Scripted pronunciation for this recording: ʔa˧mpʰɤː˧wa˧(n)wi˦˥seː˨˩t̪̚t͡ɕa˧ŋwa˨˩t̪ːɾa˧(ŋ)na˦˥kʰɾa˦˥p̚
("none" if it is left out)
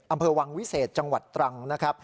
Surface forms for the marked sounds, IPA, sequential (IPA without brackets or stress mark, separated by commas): ŋ, ŋ